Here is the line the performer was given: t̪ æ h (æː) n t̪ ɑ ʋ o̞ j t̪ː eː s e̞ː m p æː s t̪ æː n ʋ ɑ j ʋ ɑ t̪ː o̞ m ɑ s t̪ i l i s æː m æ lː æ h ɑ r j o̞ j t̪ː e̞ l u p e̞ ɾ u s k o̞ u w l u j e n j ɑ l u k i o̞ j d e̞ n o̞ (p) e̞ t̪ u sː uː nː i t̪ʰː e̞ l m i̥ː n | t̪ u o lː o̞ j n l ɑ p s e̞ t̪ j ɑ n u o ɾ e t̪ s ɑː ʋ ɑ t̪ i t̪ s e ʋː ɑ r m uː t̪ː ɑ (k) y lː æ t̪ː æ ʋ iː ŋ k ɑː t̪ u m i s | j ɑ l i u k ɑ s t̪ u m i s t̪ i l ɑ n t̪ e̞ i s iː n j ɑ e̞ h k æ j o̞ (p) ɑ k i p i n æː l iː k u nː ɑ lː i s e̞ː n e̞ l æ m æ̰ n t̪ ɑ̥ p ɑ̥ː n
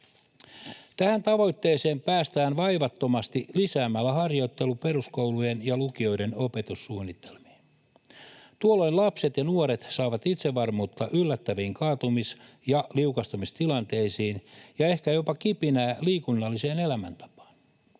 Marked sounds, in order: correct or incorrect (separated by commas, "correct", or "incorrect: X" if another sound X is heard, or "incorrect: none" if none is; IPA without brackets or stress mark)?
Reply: incorrect: æ, correct, incorrect: ʔ, correct